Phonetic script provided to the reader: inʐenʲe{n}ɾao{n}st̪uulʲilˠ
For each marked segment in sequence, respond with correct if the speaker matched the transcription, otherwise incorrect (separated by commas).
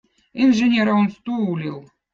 incorrect, correct